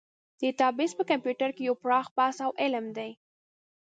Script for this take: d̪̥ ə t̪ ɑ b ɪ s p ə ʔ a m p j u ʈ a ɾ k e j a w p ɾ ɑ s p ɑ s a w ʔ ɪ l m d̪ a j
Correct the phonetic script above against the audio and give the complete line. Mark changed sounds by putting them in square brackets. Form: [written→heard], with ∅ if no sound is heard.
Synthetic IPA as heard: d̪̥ ə t̪ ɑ b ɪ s p ə [ʔ→k] a m p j u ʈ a ɾ k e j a w p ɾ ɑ [s→x] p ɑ s a w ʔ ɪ l m d̪ a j